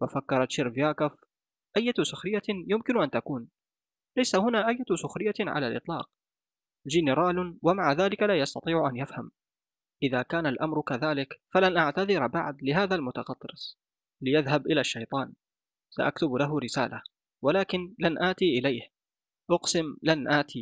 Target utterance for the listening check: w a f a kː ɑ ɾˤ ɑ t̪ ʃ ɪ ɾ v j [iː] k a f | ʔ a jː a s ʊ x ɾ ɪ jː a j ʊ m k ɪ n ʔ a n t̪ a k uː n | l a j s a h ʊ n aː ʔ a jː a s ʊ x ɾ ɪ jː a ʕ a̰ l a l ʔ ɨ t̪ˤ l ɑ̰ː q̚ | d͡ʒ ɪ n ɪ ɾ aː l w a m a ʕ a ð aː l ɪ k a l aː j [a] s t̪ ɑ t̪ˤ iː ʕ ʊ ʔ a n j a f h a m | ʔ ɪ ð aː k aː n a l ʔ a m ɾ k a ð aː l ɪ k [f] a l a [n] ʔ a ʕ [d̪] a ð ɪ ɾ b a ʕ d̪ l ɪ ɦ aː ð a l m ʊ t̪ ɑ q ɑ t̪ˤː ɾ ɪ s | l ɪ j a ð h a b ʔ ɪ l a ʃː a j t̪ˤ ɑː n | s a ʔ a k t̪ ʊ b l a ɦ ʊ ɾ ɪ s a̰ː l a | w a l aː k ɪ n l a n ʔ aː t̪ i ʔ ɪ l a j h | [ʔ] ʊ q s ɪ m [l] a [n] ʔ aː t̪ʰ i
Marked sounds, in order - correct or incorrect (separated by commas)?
incorrect, incorrect, correct, correct, incorrect, correct, correct, correct